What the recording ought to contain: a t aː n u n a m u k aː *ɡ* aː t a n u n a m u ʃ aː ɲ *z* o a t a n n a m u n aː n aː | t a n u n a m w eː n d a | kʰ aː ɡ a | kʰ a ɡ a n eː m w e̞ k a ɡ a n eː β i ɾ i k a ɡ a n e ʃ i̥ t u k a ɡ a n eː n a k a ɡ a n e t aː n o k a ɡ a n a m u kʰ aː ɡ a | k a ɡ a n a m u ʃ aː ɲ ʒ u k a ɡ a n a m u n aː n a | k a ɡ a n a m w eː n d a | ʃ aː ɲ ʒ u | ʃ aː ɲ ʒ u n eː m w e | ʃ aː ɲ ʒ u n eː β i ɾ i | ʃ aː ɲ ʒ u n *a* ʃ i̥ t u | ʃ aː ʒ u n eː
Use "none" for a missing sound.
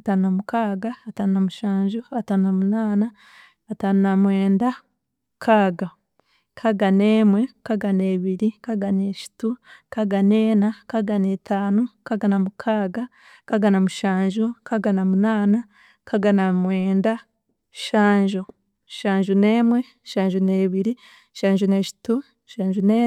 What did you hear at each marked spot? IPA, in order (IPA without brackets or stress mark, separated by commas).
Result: ɡ, ʒ, e